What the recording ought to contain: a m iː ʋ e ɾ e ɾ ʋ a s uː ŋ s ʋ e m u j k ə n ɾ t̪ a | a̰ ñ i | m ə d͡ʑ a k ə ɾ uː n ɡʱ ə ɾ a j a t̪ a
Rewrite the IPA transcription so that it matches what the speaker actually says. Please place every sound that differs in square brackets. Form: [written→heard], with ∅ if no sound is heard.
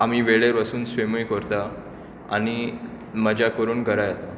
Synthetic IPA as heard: a m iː ʋ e [ɾ→ɭ] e ɾ ʋ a s uː [ŋ→n] s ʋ e m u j k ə [n→∅] ɾ t̪ a | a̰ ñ i | m ə d͡ʑ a k ə ɾ uː n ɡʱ ə ɾ a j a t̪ a

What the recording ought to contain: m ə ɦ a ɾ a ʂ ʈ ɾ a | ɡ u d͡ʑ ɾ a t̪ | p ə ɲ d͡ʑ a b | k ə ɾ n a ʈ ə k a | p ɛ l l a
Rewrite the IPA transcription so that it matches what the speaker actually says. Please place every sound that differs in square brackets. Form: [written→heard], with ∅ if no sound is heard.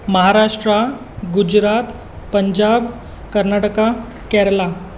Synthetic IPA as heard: m ə ɦ a ɾ a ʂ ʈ ɾ a | ɡ u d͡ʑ ɾ a t̪ | p ə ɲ d͡ʑ a b | k ə ɾ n a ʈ ə k a | [p→k] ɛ [l→ɾ] l a

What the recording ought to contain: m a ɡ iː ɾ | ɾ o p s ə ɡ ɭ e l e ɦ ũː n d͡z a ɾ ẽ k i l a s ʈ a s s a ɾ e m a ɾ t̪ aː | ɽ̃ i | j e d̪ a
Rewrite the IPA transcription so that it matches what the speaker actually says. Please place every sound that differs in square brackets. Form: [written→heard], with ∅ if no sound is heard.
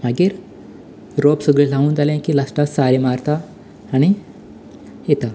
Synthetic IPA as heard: m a ɡ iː ɾ | ɾ o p s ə ɡ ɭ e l [e→a] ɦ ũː n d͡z a [ɾ→l] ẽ k i l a s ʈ a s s a ɾ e m a ɾ t̪ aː | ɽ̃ i | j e [d̪→t̪] a

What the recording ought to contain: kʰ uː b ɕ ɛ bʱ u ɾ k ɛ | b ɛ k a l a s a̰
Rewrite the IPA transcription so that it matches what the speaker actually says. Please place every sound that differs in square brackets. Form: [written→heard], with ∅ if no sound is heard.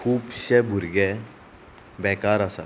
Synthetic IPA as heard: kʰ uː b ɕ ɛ bʱ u ɾ [k→ɡ] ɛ | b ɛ k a [l→ɾ] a s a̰

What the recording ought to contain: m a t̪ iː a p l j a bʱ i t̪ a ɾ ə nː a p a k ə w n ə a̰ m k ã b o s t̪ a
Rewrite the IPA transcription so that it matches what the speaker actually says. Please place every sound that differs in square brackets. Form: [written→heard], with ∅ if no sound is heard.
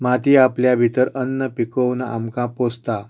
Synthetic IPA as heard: m a t̪ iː a p l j a bʱ i t̪ [a→ə] ɾ ə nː [a→ə] p [a→i] k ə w n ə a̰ m k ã [b→p] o s t̪ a

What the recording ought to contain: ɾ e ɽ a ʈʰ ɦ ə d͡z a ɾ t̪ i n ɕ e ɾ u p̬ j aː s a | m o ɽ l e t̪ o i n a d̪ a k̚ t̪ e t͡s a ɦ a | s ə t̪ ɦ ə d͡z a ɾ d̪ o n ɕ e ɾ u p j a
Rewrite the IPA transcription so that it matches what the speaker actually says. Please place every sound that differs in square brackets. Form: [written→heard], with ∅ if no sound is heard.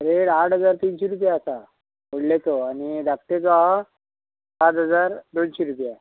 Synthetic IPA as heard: ɾ e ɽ a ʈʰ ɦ ə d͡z a ɾ t̪ i n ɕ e ɾ u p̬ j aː s a | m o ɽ l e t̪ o [i→a] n [a→i] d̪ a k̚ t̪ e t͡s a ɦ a | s [ə→a] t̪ ɦ ə d͡z a ɾ d̪ o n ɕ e ɾ u p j a

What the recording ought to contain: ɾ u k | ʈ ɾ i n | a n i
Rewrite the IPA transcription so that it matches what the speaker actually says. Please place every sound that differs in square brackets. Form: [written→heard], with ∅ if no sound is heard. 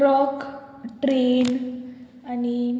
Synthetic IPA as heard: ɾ [u→ɔ] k | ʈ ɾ [i→e] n | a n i

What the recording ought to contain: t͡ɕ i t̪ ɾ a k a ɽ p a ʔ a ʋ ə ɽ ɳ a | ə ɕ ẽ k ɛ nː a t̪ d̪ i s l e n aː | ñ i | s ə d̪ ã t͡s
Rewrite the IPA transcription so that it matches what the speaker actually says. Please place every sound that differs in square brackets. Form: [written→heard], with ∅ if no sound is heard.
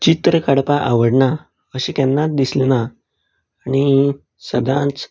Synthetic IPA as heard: t͡ɕ i t̪ ɾ [a→ə] k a ɽ p a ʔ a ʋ ə ɽ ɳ a | ə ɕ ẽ k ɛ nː a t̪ d̪ i s l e n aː | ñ i | s ə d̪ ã t͡s

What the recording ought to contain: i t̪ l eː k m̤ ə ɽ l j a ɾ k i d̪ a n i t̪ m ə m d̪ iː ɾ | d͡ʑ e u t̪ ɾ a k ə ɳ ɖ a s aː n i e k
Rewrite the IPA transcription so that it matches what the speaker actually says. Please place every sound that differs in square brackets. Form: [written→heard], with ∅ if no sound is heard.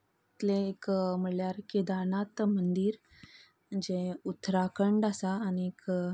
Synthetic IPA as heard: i t̪ l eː k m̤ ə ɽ l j a ɾ k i d̪ a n [i→a] t̪ m ə [m→n] d̪ iː ɾ | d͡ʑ e u t̪ ɾ a k ə ɳ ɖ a s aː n i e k

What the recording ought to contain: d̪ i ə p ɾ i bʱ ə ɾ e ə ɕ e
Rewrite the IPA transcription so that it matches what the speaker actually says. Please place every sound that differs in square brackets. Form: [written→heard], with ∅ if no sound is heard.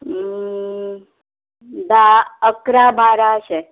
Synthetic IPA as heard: d̪ [i→a] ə [p→k] ɾ [i→a] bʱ [ə→a] ɾ [e→a] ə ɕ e

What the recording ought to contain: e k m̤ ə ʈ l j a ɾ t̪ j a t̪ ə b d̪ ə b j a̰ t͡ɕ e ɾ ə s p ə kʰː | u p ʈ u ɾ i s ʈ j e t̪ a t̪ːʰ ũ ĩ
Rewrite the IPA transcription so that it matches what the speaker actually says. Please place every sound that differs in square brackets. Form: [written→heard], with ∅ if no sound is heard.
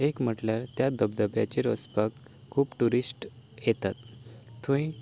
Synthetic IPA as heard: e k m̤ ə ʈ l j a ɾ t̪ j a [t̪→d̪] ə b d̪ ə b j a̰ t͡ɕ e ɾ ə s p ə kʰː | [u→uː] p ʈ u ɾ i s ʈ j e t̪ a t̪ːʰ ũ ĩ

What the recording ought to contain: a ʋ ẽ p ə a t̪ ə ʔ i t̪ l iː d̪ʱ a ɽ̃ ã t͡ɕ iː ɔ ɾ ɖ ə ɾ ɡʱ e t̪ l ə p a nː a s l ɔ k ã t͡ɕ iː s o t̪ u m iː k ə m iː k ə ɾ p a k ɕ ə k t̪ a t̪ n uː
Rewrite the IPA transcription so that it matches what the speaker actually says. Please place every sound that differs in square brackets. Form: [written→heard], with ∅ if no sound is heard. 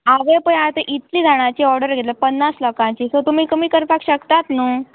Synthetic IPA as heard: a ʋ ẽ p ə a t̪ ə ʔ i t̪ l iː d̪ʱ a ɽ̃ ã t͡ɕ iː ɔ ɾ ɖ ə ɾ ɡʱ e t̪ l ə p [a→ə] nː a s l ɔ k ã t͡ɕ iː s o t̪ u m iː k ə m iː k ə ɾ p a k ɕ ə k t̪ a t̪ n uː

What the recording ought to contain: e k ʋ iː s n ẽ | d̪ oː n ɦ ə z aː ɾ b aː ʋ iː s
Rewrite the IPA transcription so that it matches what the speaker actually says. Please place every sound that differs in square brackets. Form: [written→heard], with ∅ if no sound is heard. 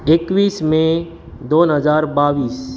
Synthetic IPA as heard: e k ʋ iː s [n→m] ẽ | d̪ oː n ɦ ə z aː ɾ b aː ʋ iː s

